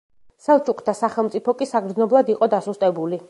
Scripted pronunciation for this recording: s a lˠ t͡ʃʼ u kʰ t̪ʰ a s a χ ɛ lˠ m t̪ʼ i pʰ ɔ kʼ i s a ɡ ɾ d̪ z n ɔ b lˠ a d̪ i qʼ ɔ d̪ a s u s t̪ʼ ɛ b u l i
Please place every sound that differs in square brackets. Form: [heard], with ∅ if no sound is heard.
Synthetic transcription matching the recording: s a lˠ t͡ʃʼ u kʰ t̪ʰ a s a χ ɛ lˠ m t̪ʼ i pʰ ɔ kʼ i s a ɡ ɾ d̪ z n ɔ b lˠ a d̪ i qʼ ɔ d̪ a s u s t̪ʼ ɛ b u l i